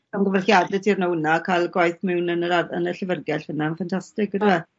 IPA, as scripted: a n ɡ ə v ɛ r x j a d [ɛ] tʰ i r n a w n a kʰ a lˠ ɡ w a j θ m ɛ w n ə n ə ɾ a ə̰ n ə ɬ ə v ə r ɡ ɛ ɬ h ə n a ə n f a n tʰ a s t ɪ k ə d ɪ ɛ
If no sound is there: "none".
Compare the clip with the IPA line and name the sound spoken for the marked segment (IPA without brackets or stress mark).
ɛ